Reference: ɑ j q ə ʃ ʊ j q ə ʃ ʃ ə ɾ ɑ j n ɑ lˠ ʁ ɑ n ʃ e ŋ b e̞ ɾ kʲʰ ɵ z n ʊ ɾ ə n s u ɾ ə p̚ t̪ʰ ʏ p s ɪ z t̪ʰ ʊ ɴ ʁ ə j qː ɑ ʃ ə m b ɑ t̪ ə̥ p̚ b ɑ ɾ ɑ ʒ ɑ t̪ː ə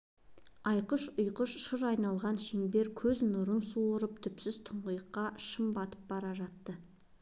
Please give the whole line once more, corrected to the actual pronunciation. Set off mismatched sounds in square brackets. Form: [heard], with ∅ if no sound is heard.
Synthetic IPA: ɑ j q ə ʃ ʊ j q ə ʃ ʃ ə ɾ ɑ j n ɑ lˠ ʁ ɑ n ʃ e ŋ b e̞ ɾ kʲʰ ɵ z n ʊ ɾ ə n s u ɾ ə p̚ t̪ʰ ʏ p s ɪ z t̪ʰ ʊ ɴ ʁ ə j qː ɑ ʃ ə m b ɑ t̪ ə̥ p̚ b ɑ ɾ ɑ ʒ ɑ t̪ː ə